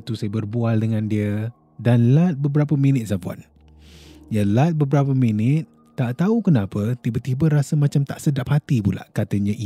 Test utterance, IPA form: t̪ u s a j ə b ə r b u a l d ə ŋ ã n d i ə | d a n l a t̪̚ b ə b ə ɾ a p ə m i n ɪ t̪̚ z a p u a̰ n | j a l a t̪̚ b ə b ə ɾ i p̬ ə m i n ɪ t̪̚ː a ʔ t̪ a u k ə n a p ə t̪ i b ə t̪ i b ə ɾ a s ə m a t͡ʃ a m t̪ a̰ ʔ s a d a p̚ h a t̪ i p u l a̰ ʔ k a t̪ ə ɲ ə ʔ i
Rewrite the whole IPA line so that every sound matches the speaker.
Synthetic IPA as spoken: t̪ u s a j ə b ə r b u a l d ə ŋ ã n d i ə | d a n l a t̪̚ b ə b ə ɾ a p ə m i n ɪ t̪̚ s a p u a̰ n | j a l a t̪̚ b ə b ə ɾ a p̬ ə m i n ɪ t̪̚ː a ʔ t̪ a u k ə n a p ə t̪ i b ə t̪ i b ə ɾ a s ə m a t͡ʃ a m t̪ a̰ ʔ s ə d a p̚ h a t̪ i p u l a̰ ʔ k a t̪ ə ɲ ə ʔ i